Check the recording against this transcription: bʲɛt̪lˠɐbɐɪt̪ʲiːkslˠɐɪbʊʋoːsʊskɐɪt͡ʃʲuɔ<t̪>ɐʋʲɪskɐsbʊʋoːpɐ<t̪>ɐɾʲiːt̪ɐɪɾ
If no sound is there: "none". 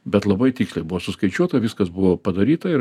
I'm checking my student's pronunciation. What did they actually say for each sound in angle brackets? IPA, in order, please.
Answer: t̪, d̪

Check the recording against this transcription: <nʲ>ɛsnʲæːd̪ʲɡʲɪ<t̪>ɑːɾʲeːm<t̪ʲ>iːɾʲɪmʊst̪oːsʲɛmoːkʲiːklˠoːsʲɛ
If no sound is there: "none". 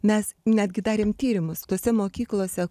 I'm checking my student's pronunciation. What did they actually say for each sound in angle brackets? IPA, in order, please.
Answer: mʲ, d̪, t̪ʲ

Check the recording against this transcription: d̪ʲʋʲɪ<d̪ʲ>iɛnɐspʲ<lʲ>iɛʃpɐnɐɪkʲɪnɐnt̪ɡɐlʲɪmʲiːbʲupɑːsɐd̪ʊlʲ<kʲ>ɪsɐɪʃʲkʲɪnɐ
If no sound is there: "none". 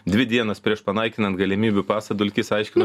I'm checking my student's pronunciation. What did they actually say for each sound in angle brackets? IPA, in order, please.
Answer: d̪ʲ, ɾʲ, kʲ

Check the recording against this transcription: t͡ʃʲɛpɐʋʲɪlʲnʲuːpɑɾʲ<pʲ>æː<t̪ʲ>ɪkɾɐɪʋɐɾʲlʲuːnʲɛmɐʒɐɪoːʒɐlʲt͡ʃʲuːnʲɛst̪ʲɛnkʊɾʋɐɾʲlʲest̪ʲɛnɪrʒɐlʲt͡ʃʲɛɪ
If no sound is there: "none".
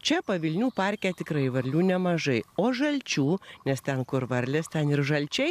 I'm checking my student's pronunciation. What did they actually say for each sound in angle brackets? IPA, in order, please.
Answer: kʲ, t̪ʲ

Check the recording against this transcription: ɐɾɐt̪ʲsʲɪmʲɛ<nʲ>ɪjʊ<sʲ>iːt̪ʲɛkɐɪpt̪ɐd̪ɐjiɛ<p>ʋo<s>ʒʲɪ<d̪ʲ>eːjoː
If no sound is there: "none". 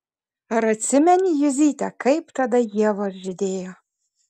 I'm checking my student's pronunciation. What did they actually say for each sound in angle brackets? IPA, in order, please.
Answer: nʲ, zʲ, none, s, d̪ʲ

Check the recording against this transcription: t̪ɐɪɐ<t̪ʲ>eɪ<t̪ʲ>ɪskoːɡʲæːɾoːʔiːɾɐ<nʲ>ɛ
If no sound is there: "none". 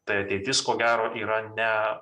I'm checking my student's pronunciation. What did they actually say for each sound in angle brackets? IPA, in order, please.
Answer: t̪ʲ, t̪ʲ, nʲ

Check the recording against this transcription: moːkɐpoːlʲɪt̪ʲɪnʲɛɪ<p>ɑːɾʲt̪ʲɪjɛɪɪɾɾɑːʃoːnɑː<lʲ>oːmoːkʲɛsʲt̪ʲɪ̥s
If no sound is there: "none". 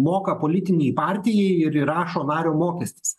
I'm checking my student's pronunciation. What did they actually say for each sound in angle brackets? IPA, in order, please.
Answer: p, ɾʲ

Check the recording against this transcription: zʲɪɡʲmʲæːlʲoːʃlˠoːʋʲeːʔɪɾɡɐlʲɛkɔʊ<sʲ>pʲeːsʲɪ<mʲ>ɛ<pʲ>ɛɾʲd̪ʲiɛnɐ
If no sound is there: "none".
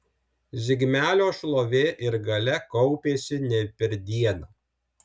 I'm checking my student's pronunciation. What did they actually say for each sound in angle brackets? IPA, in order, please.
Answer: none, nʲ, pʲ

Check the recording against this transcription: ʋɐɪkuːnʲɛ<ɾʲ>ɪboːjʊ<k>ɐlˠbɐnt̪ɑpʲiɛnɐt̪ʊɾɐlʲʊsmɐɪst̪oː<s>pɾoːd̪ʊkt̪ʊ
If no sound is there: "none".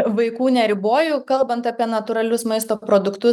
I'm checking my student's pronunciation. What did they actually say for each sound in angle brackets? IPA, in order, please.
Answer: ɾʲ, k, none

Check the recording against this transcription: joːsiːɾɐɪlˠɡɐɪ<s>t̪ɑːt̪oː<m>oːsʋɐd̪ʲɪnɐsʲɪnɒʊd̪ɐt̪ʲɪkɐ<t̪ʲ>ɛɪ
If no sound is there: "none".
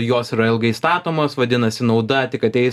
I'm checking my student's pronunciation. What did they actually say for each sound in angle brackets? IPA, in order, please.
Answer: s, m, t̪ʲ

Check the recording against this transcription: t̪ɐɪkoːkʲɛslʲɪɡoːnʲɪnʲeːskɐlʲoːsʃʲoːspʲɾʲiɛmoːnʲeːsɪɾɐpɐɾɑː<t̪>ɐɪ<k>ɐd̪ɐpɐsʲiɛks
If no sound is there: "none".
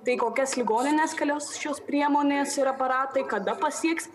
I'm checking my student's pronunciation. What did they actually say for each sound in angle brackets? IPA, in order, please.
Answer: t̪, k

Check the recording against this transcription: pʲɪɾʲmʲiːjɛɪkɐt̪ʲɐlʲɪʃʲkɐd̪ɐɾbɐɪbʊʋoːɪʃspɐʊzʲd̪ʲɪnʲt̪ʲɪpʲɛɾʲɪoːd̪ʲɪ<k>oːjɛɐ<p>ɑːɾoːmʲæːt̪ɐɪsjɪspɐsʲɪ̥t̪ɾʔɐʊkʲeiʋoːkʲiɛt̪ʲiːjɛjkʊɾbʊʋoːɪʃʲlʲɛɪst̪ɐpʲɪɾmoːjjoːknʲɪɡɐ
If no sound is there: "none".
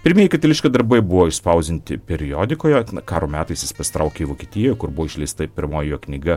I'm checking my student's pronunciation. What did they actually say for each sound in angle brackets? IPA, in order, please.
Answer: k, k

